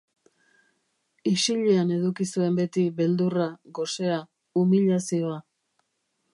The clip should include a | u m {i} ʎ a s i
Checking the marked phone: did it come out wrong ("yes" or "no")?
no